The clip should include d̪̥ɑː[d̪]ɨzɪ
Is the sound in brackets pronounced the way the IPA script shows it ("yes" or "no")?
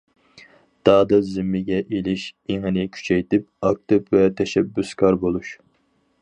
yes